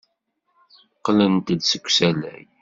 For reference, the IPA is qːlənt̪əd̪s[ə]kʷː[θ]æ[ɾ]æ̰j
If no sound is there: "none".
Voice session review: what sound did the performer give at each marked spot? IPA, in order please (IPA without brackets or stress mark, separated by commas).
ə, s, l